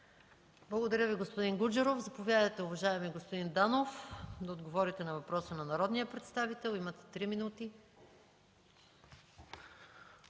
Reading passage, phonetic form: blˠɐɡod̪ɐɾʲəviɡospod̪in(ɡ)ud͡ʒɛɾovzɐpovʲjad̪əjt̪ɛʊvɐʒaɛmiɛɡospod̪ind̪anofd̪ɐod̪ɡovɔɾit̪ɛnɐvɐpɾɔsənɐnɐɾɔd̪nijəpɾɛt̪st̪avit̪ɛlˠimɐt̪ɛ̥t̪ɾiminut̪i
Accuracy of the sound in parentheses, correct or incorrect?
correct